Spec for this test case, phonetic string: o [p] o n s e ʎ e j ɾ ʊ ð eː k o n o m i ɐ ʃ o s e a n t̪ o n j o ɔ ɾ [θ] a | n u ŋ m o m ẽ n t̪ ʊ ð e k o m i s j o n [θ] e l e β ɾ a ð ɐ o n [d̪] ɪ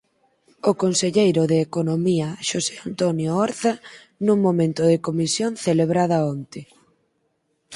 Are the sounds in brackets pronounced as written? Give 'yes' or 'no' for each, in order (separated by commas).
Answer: no, yes, yes, no